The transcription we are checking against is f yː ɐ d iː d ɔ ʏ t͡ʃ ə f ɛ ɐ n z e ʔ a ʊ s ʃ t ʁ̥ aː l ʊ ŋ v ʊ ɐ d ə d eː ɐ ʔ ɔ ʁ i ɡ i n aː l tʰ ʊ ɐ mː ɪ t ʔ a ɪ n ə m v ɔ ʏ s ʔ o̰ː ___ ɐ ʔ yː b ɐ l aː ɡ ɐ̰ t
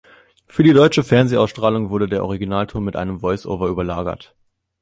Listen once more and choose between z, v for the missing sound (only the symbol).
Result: v